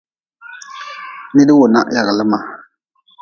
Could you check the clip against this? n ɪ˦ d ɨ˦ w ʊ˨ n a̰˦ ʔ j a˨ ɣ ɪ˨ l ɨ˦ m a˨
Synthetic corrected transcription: n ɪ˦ d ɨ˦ w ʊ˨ n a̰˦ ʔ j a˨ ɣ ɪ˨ l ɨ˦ m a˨